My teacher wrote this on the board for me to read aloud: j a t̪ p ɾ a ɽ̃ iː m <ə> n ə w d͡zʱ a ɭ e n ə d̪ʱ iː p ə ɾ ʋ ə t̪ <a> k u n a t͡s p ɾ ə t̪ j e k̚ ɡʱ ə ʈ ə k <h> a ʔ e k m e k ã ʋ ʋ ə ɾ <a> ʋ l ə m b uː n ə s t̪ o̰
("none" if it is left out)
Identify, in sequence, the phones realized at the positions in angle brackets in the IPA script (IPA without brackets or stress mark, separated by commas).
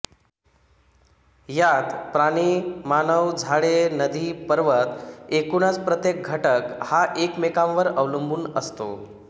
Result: a, e, h, ə